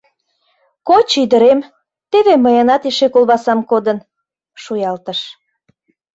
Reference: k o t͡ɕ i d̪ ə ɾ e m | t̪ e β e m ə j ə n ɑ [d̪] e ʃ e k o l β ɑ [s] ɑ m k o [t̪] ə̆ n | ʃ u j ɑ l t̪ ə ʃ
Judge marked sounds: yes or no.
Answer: no, yes, no

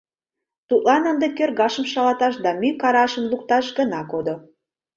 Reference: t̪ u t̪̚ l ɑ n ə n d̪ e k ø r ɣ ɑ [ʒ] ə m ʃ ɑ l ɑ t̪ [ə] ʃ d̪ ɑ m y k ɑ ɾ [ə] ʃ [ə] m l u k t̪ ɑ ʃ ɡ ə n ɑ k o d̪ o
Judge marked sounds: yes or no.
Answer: no, no, no, yes

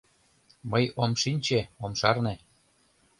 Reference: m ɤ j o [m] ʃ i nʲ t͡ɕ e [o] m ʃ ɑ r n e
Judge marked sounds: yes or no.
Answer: yes, yes

